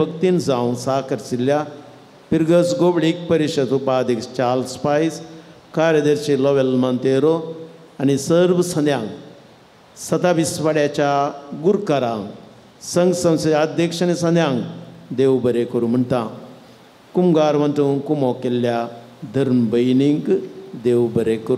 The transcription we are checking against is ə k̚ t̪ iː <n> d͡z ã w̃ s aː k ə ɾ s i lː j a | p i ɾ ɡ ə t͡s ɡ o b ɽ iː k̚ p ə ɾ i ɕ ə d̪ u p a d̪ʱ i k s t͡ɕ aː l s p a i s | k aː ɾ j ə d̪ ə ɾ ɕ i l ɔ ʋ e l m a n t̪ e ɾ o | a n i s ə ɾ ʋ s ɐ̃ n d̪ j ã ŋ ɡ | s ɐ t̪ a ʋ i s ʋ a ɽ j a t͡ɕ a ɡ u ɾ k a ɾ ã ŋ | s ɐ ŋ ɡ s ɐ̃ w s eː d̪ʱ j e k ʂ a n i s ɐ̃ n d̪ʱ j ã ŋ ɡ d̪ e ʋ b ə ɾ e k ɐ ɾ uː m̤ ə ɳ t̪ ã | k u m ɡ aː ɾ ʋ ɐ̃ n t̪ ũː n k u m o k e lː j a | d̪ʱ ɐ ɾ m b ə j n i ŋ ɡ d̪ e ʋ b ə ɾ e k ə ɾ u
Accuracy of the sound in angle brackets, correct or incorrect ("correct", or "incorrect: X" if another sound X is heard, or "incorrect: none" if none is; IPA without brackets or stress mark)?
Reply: correct